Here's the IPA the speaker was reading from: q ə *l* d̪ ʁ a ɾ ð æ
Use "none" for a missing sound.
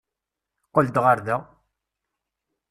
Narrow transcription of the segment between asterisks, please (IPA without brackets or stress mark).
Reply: l